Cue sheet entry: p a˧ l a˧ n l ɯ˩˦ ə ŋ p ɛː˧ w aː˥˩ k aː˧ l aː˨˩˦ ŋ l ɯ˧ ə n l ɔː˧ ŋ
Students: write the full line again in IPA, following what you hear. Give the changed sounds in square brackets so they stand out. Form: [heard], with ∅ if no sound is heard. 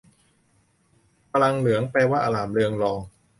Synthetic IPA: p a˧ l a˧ [ŋ] l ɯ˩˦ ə ŋ p ɛː˧ w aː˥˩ [ʔ] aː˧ l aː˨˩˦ [m] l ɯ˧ ə [ŋ] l ɔː˧ ŋ